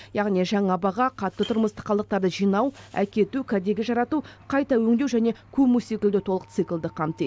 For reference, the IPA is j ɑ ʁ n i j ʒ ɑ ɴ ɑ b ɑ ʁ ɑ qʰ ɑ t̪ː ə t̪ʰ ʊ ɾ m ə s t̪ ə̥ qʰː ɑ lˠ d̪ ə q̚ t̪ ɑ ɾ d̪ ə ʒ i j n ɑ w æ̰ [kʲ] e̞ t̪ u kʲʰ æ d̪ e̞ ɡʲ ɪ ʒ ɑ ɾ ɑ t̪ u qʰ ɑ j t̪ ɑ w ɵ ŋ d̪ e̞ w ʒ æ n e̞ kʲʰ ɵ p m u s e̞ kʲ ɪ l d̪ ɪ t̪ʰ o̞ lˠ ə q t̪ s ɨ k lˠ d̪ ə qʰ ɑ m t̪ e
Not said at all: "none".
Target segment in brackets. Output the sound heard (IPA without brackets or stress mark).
kʲ